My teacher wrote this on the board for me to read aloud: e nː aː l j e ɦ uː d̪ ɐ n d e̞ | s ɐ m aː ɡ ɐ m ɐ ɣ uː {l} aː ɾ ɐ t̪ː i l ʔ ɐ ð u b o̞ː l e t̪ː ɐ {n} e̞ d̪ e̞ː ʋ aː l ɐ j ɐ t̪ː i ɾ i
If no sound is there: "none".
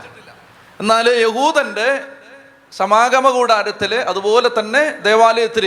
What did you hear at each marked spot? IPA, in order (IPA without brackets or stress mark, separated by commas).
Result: ɽ, nː